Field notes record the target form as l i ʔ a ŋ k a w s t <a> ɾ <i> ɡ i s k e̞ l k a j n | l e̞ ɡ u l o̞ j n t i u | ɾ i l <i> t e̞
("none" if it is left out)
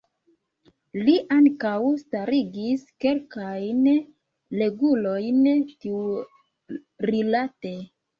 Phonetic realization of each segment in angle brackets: a, i, a

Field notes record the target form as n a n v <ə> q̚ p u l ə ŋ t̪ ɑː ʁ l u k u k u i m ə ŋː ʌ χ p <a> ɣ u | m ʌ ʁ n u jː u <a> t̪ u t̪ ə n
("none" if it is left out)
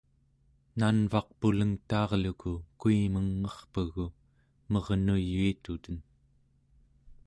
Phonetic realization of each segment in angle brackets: ɑ, ə, i

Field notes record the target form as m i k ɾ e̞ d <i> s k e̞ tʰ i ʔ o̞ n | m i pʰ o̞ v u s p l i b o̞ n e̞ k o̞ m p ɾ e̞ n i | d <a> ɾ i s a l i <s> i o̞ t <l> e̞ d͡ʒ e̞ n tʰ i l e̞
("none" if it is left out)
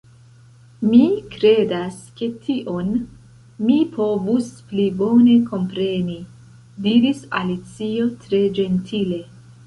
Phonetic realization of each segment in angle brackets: a, i, t͡s, ɾ

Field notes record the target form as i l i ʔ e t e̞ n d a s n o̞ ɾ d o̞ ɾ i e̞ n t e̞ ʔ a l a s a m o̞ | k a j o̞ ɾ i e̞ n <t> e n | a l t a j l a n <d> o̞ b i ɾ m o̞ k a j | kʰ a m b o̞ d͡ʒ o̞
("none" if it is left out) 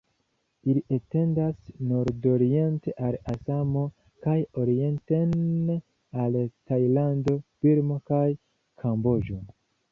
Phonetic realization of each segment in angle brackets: t, d

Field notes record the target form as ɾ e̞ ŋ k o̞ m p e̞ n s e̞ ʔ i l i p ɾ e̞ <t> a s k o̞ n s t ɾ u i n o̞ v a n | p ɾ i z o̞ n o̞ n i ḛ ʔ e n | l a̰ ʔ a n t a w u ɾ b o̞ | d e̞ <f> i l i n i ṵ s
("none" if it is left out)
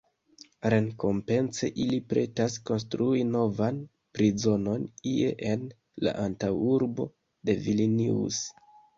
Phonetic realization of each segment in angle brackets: t, v

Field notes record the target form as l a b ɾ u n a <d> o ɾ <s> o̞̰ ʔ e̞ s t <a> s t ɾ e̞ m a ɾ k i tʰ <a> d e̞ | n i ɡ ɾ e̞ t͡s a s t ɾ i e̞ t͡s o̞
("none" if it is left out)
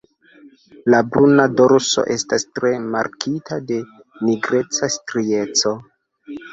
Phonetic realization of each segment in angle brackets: d, s, a, a

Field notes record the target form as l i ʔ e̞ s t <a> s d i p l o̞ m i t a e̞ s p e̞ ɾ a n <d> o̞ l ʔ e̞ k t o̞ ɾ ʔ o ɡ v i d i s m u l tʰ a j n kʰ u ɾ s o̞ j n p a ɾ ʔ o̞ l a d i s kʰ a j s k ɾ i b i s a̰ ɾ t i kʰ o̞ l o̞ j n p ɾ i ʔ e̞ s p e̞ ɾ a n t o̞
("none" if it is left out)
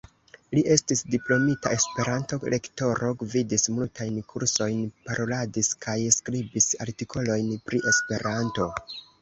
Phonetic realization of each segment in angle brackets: i, t

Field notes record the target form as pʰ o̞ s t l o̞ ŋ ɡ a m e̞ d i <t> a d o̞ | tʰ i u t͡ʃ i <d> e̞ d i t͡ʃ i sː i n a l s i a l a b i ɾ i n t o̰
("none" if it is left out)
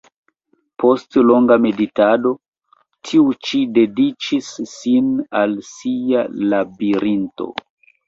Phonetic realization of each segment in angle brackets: t, d

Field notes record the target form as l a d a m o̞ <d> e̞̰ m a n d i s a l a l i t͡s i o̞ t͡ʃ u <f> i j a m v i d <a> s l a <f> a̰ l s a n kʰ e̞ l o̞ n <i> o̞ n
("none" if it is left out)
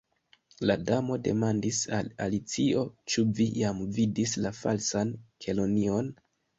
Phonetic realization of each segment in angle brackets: d, v, i, f, i

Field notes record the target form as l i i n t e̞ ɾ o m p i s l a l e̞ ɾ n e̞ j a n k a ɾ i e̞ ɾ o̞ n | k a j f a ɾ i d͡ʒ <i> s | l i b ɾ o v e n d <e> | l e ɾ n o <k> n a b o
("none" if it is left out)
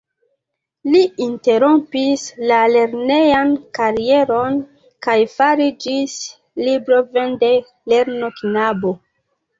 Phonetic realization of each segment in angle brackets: i, e, k

